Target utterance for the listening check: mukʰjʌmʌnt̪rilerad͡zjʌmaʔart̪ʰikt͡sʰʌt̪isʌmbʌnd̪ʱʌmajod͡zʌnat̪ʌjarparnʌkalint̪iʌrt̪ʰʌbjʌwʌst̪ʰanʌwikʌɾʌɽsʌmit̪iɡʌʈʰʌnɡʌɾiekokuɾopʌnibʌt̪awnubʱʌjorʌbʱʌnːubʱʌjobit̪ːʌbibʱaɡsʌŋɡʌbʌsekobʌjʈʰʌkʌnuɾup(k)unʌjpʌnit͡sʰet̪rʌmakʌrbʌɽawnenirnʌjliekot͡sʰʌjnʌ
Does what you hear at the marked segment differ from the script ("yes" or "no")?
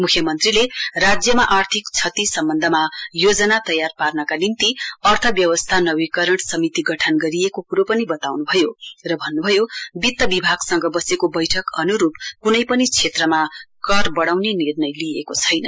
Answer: no